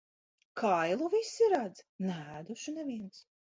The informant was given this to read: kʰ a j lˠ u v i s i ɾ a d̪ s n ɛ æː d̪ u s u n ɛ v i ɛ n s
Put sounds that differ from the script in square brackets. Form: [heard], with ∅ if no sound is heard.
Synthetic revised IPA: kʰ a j lˠ u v i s i ɾ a d̪ [z] n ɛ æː d̪ u [ʃ] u n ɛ v i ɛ n s